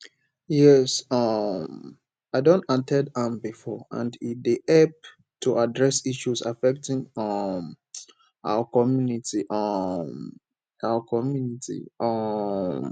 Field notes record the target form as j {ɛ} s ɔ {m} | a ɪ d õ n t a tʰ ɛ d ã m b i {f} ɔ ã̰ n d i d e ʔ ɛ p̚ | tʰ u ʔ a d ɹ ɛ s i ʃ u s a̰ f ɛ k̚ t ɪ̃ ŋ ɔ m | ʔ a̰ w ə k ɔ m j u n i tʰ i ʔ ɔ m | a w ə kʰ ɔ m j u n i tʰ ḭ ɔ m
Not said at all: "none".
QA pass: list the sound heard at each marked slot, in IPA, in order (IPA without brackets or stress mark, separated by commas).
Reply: ɛ, m, f